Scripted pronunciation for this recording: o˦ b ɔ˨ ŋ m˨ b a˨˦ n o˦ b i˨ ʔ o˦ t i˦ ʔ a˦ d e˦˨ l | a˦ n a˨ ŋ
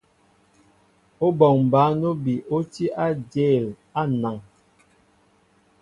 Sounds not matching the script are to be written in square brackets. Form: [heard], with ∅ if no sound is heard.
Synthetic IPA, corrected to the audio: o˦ b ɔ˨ ŋ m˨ b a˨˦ n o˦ b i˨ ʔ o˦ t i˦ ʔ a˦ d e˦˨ l | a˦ n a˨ ŋ